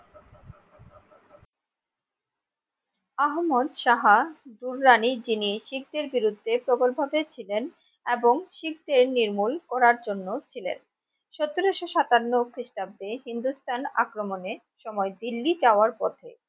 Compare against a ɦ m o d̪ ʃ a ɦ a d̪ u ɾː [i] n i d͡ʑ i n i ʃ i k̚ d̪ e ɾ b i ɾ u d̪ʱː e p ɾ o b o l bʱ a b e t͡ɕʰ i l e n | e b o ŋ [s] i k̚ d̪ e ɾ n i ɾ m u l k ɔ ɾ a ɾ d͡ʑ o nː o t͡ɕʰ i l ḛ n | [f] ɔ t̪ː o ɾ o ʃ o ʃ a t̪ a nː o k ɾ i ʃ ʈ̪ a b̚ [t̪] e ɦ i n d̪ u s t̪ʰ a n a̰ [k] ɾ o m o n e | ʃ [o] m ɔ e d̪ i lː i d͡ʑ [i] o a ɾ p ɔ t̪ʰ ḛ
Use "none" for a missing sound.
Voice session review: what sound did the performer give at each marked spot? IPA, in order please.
a, ʃ, ʃ, d̪, k, ɔ, a

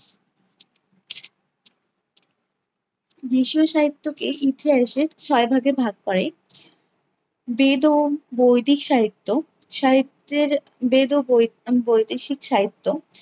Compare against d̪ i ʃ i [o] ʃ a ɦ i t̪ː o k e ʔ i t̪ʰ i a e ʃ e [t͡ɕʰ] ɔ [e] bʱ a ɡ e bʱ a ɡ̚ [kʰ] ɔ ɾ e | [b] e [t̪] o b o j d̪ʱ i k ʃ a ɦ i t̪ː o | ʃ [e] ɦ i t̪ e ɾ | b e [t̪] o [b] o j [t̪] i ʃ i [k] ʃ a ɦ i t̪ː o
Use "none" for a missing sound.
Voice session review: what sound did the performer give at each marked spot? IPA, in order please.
o, t͡ɕʰ, e, k, b, d̪, a, d̪, b, d̪, k

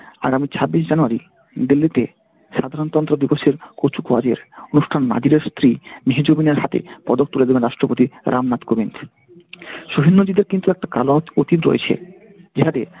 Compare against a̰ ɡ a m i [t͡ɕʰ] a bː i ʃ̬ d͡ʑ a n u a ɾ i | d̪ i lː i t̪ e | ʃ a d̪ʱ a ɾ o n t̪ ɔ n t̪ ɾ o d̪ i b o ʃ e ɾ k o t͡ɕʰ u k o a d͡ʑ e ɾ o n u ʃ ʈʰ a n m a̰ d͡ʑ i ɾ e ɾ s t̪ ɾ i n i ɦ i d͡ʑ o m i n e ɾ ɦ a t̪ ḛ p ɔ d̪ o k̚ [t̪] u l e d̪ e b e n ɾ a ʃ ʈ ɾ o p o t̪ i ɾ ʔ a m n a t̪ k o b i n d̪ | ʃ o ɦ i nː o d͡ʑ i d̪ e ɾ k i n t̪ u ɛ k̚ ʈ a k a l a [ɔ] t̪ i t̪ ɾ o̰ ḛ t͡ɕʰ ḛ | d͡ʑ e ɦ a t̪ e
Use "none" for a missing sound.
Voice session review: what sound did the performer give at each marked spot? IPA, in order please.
t͡ɕʰ, t̪, o

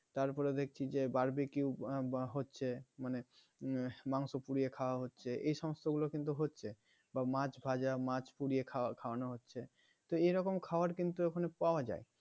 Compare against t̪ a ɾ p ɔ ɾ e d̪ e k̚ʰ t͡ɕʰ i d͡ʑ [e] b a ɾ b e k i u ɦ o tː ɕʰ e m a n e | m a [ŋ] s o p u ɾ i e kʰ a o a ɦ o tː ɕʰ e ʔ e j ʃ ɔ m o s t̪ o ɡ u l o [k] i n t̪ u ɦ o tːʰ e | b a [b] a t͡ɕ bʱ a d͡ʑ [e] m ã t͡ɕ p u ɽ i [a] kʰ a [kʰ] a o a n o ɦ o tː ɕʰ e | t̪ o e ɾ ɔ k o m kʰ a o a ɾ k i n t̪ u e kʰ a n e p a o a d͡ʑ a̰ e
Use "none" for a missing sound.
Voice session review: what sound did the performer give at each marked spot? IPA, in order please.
e, ŋ, k, m, a, e, kʰ

